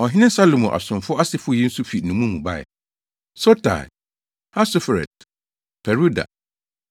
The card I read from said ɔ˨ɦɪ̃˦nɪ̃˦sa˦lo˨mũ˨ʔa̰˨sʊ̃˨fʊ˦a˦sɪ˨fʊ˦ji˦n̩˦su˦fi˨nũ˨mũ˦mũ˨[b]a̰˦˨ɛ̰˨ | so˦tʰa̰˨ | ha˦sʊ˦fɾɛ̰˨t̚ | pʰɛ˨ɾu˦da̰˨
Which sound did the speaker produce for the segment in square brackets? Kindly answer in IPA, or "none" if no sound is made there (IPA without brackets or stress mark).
b